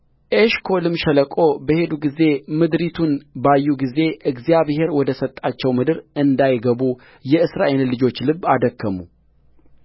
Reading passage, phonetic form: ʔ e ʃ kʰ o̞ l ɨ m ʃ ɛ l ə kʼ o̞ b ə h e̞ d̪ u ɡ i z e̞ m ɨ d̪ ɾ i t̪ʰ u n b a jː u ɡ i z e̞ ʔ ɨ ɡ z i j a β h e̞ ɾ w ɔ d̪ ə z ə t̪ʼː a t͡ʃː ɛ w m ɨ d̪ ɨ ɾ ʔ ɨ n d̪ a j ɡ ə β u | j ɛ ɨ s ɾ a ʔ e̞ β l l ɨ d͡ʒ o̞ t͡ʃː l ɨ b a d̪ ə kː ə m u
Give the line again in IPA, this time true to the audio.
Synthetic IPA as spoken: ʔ e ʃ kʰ o̞ l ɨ m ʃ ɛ l ə kʼ o̞ b ə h e̞ d̪ u ɡ i z e̞ m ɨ d̪ ɾ i t̪ʰ u n b a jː u ɡ i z e̞ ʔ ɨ ɡ z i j a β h e̞ ɾ w ɔ d̪ ə s ə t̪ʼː a t͡ʃː ɛ w m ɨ d̪ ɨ ɾ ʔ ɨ n d̪ a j ɡ ə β u | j ɛ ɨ s ɾ a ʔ e̞ l l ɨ d͡ʒ o̞ t͡ʃː l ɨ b a d̪ ə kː ə m u